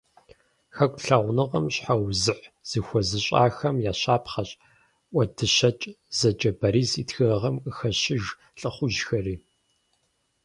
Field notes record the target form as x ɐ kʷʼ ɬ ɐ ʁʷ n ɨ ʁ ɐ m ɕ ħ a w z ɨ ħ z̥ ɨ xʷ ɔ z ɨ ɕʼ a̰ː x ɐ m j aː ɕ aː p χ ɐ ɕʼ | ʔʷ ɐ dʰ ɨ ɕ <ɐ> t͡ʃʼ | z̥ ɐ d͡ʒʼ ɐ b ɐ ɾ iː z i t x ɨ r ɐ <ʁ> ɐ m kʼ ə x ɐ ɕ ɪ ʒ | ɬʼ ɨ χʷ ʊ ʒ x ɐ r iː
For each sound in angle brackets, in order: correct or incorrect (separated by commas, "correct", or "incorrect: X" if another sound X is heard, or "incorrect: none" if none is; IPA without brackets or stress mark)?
correct, correct